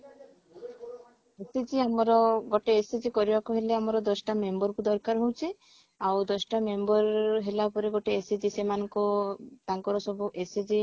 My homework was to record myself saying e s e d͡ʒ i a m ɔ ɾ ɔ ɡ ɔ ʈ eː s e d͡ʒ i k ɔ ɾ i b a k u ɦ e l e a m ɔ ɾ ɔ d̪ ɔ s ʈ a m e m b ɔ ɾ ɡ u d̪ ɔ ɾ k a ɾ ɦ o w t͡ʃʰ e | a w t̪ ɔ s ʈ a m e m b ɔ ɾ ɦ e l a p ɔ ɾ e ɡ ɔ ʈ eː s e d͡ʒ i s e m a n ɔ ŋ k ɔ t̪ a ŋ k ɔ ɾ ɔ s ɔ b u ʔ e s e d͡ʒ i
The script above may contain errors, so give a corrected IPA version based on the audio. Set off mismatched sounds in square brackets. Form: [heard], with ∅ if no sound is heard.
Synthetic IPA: e s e d͡ʒ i a m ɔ ɾ ɔ ɡ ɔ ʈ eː s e d͡ʒ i k ɔ ɾ i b a k u ɦ e l e a m ɔ ɾ ɔ d̪ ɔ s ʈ a m e m b ɔ ɾ [k] u d̪ ɔ ɾ k a ɾ ɦ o w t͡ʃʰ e | a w [d̪] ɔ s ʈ a m e m b ɔ ɾ ɦ e l a p ɔ ɾ e ɡ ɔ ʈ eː s e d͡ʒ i s e m a n ɔ ŋ k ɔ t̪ a ŋ k ɔ ɾ ɔ s ɔ b u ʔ e s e d͡ʒ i

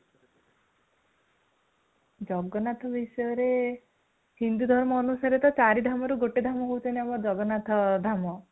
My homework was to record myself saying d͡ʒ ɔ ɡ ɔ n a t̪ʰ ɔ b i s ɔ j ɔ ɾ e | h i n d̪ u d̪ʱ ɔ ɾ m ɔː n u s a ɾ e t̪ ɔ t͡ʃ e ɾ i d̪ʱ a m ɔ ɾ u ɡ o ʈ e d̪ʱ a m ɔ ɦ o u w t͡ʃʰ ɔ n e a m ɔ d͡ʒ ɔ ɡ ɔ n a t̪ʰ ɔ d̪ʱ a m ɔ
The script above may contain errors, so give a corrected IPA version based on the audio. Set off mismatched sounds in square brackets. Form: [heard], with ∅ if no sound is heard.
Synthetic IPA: d͡ʒ ɔ ɡ ɔ n a t̪ʰ ɔ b i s ɔ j ɔ ɾ e | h i n d̪ u d̪ʱ ɔ ɾ m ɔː n u s a ɾ e t̪ ɔ t͡ʃ [a] ɾ i d̪ʱ a m ɔ ɾ u ɡ o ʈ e d̪ʱ a m ɔ ɦ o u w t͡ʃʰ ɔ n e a m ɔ d͡ʒ ɔ ɡ ɔ n a t̪ʰ ɔ d̪ʱ a m ɔ

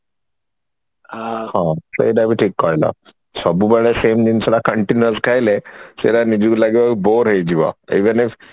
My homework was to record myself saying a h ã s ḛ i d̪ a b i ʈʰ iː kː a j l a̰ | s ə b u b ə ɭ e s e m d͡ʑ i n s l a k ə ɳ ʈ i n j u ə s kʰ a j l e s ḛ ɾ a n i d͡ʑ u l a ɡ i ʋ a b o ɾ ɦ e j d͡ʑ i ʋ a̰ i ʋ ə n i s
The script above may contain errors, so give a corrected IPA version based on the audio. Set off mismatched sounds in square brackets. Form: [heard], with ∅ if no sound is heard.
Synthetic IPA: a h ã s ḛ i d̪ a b i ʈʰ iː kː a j l a̰ | s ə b u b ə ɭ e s e m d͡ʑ i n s l a k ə ɳ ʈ i n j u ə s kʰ a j l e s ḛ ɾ a n i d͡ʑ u l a ɡ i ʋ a b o ɾ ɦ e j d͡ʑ i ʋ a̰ i ʋ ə n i [f]

